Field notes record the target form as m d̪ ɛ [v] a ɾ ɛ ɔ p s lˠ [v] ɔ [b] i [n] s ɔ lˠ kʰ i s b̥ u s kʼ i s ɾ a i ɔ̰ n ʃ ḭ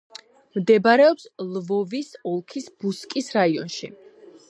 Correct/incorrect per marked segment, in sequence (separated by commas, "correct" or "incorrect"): incorrect, correct, incorrect, incorrect